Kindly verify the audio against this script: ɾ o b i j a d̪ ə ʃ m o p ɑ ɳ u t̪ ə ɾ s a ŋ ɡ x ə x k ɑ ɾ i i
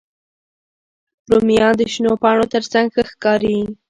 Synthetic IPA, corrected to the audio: ɾ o m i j ɑ d̪ ə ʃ n o p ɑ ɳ o t̪ ə ɾ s a ŋ ɡ x ə x k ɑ ɾ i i

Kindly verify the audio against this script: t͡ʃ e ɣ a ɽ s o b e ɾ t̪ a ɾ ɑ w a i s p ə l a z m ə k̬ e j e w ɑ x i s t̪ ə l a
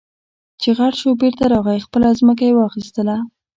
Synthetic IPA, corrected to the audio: t͡ʃ e ɣ a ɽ ʃ o b e ɾ t̪ a ɾ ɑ ɣ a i x p ə l a z m ə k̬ a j e w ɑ x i s t̪ ə l a

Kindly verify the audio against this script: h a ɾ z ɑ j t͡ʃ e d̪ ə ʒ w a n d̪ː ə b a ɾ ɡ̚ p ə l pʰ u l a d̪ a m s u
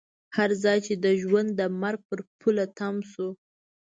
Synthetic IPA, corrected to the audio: h a ɾ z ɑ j t͡ʃ e d̪ ə ʒ w a n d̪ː ə m a ɾ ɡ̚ p ə ɾ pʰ u l a t̪ a m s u

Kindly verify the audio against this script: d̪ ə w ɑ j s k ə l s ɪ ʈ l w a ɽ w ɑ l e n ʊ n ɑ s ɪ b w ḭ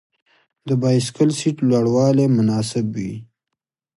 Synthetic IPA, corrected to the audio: d̪ ə b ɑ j s k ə l s i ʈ l w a ɽ w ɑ l e m ʊ n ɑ s ɪ b w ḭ

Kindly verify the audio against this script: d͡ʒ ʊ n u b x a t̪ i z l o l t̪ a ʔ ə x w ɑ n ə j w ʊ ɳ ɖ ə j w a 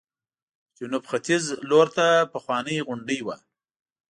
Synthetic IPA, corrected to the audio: d͡ʒ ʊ n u b x a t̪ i z l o ɾ t̪ a p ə x w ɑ n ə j ɣ ʊ ɳ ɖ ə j w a

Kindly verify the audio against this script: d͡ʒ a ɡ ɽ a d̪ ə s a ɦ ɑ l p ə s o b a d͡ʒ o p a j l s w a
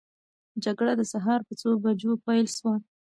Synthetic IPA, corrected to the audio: d͡ʒ a ɡ ɽ a d̪ ə s a ɦ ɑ ɾ p ə t͡s o b a d͡ʒ o p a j l ʃ w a

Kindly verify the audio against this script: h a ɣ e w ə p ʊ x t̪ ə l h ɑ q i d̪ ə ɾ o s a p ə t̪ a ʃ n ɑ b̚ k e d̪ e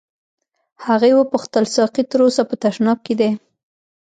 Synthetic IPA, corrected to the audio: h a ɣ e w ə p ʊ x t̪ ə l s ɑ q i t̪ ə ɾ o s a p ə t̪ a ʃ n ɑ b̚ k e d̪ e

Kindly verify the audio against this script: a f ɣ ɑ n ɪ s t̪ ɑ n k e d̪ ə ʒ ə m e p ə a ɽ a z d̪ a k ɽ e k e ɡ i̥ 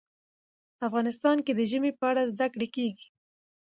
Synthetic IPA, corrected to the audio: a f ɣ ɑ n ɪ s t̪ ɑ n k e d̪ ə ʒ ə m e p ə a ɽ a z d̪ a k ɽ e k e ɡ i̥

